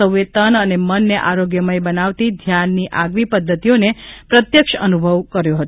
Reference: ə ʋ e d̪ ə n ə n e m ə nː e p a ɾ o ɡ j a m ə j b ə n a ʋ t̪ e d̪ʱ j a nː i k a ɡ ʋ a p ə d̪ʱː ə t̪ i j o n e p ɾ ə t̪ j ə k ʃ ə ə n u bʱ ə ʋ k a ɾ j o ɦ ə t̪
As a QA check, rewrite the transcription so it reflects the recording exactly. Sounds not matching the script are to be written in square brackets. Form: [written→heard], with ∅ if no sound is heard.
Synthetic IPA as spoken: ə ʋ e [d̪→t̪] ə n ə n e m ə nː e [p→ʔ] a ɾ o ɡ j [a→ə] m ə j b ə n a ʋ t̪ [e→i] d̪ʱ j a nː i [k→ʔ] a ɡ ʋ [a→i] p ə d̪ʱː ə t̪ i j o n e p ɾ ə t̪ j ə k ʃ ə ə n u bʱ ə ʋ k [a→ə] ɾ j o ɦ ə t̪

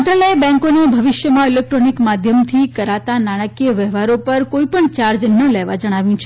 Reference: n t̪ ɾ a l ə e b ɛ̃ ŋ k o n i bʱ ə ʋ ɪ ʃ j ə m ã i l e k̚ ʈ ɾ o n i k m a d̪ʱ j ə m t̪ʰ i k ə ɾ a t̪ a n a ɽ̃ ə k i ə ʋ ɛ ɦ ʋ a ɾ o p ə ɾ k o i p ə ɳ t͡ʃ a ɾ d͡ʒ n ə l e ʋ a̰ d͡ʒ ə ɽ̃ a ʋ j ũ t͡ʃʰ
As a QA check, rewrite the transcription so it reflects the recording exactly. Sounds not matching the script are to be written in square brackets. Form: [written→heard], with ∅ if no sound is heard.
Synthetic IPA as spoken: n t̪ ɾ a l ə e b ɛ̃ ŋ k o n [i→e] bʱ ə ʋ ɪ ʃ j ə m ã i l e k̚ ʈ ɾ o n i k m a d̪ʱ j ə m t̪ʰ i k ə ɾ a t̪ a n a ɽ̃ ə k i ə ʋ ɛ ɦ ʋ a ɾ o p ə ɾ k o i p ə ɳ t͡ʃ a ɾ d͡ʒ n ə l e ʋ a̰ d͡ʒ ə ɽ̃ a ʋ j ũ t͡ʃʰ

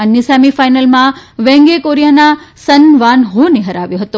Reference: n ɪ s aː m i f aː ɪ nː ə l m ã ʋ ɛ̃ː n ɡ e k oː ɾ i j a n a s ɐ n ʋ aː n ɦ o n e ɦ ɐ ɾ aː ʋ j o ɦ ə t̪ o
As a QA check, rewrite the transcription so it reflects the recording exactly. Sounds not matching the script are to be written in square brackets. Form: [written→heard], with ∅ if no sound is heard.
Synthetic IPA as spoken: n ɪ s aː m i f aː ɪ [nː→n] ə l m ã ʋ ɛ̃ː [n→ŋ] ɡ e k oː ɾ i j a n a s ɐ n ʋ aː n ɦ o n e ɦ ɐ ɾ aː ʋ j o ɦ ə t̪ o

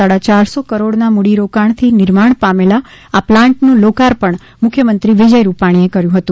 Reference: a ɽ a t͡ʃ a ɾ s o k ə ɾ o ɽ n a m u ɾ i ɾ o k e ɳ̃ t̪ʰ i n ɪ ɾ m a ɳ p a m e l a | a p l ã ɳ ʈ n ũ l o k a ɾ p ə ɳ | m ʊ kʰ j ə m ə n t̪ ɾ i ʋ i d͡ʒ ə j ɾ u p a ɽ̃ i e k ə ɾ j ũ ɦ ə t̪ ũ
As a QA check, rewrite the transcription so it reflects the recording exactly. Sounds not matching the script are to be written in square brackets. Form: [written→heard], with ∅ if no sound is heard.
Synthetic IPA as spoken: a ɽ a t͡ʃ a ɾ s o k ə ɾ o ɽ n a m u [ɾ→ɽ] i ɾ o k [e→a] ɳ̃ t̪ʰ i n ɪ ɾ m a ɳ p a m e l a | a p l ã ɳ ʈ n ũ l o k a ɾ p ə ɳ | m ʊ kʰ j ə m ə n t̪ ɾ i ʋ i d͡ʒ ə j ɾ u p a ɽ̃ i e k ə ɾ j ũ ɦ ə t̪ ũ

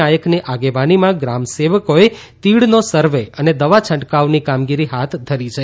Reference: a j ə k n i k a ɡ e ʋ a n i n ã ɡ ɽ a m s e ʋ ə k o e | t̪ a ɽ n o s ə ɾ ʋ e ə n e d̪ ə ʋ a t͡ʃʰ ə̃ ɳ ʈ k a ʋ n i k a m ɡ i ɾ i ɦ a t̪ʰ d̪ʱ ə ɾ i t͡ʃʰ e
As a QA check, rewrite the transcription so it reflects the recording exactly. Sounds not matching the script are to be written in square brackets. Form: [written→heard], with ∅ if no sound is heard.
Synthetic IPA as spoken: a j ə k n i [k→ʔ] a ɡ e ʋ a n i [n→m] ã ɡ [ɽ→ɾ] a m s e ʋ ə k o e | t̪ [a→i] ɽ n o s ə ɾ ʋ e ə n e d̪ ə ʋ a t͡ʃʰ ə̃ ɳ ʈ k a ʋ n i k a m ɡ i ɾ i ɦ a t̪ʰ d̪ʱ ə ɾ i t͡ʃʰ e

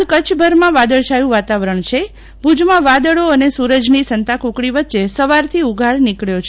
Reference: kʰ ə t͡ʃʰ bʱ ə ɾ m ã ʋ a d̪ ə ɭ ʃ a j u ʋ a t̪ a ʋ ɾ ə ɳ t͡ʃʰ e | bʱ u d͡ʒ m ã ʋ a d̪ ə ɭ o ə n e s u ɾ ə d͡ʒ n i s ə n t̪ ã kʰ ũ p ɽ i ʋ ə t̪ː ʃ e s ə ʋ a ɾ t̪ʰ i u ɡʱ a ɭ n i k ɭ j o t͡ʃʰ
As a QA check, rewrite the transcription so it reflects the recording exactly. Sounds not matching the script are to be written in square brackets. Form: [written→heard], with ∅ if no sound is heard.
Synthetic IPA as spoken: [kʰ→k] ə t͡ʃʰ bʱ ə ɾ m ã ʋ a d̪ ə ɭ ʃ a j [u→ũ] ʋ a t̪ a ʋ ɾ ə ɳ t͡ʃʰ e | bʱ u d͡ʒ m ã ʋ a d̪ ə ɭ o ə n e s u ɾ ə d͡ʒ n i s ə n t̪ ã [kʰ→k] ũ [p→k] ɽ i ʋ ə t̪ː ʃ e s ə ʋ a ɾ t̪ʰ i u ɡʱ a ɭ n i k ɭ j o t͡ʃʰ

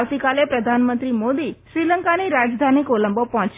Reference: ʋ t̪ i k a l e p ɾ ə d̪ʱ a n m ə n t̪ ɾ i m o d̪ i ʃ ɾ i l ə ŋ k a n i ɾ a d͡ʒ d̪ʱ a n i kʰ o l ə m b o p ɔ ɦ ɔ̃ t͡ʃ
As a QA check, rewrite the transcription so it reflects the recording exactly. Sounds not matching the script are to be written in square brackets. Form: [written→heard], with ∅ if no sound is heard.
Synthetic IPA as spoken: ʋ t̪ i k a l e p ɾ ə d̪ʱ a n m ə n t̪ ɾ i m o d̪ i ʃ ɾ i l ə ŋ k a n i ɾ a d͡ʒ d̪ʱ a n i [kʰ→k] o l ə m b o p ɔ ɦ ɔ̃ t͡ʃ

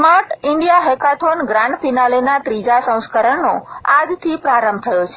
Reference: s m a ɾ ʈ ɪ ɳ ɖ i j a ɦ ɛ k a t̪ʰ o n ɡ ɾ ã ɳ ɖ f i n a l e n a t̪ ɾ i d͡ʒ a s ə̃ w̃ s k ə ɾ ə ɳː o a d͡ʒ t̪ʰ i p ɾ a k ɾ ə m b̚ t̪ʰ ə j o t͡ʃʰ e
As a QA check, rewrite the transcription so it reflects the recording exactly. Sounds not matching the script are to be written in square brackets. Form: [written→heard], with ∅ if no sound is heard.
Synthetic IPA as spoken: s m a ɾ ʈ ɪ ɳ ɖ i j a ɦ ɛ k a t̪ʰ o n ɡ ɾ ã ɳ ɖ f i n a l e n a t̪ ɾ i d͡ʒ a s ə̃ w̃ s k ə ɾ ə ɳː o a d͡ʒ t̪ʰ i p ɾ a [k→∅] ɾ ə m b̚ t̪ʰ ə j o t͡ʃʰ e

